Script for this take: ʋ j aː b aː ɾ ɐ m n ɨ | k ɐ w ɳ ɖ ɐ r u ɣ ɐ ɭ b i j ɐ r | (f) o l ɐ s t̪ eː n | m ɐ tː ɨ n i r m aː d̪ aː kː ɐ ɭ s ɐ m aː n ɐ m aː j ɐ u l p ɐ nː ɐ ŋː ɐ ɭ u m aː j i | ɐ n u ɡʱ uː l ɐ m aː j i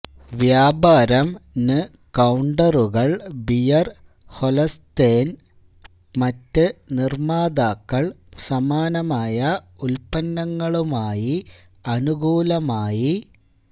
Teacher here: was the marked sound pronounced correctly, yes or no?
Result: no